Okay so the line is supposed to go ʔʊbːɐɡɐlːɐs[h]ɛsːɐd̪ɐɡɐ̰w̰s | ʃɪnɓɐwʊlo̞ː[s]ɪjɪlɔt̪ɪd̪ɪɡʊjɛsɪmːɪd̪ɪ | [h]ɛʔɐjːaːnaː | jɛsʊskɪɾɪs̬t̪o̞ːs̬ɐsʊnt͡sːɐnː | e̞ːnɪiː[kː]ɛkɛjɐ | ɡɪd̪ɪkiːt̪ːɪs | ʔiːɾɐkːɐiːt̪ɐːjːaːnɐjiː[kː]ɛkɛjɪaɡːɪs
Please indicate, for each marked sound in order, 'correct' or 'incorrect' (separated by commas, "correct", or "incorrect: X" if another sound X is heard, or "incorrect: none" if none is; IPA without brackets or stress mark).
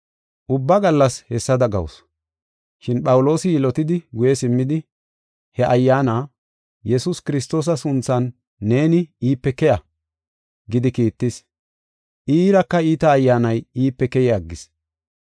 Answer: correct, correct, correct, incorrect: pː, incorrect: pː